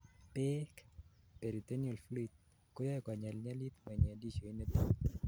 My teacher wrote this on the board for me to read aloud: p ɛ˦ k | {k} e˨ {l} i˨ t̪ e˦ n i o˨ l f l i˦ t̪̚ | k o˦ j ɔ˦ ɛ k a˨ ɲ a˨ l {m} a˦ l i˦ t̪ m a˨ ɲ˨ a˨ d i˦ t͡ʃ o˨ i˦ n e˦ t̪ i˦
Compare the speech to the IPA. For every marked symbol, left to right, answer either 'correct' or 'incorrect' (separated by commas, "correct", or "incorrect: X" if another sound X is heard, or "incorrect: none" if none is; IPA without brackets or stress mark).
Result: incorrect: p, incorrect: ɾ, incorrect: ɲ